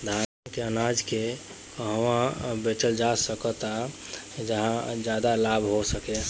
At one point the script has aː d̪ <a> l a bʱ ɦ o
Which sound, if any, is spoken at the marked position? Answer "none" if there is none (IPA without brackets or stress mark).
a